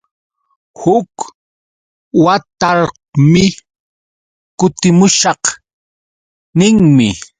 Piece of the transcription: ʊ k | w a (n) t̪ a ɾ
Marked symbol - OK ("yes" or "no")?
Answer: no